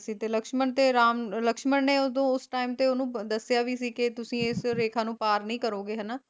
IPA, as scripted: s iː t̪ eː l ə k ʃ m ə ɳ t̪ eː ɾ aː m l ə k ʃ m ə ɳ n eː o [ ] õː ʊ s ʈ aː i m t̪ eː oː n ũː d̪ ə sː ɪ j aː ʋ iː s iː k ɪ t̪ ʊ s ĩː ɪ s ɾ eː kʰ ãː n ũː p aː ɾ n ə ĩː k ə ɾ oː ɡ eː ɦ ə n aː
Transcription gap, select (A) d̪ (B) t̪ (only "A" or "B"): A